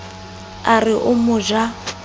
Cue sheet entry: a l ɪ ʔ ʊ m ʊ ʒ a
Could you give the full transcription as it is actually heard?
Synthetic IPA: a r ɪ ʔ ʊ m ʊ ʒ a